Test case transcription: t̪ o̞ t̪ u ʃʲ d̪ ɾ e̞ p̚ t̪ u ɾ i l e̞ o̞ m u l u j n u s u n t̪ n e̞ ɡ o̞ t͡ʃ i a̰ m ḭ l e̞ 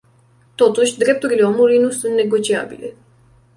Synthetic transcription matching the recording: t̪ o̞ t̪ u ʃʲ d̪ ɾ e̞ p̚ t̪ u ɾ i l e̞ o̞ m u l u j n u s u n t̪ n e̞ ɡ o̞ t͡ʃ i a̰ b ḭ l e̞